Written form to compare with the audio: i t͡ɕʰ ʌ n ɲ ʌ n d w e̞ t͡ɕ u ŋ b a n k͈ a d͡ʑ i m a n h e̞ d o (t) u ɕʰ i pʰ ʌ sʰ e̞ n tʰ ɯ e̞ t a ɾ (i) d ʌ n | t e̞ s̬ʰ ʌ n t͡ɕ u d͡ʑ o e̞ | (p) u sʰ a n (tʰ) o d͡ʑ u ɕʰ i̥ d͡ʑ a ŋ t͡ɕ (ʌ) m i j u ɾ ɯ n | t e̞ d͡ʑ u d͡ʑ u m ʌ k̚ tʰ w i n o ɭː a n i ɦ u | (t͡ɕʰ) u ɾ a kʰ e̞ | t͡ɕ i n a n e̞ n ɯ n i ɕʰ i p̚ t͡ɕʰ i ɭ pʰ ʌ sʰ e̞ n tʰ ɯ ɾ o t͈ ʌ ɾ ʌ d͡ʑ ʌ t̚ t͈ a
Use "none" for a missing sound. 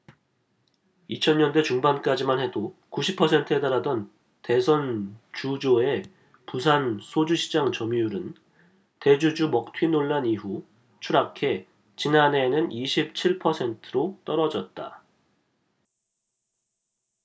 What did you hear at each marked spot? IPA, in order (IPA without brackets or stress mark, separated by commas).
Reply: k, a, p, sʰ, ʌ, t͡ɕʰ